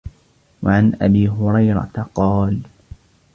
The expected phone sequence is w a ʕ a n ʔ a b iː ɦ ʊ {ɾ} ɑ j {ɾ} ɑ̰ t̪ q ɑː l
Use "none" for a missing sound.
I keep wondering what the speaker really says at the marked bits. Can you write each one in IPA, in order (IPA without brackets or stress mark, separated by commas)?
ɾ, ɾ